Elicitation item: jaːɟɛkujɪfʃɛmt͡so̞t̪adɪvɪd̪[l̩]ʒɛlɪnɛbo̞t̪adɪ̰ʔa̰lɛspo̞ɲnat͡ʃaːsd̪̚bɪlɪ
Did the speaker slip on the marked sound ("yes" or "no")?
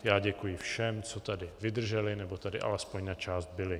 yes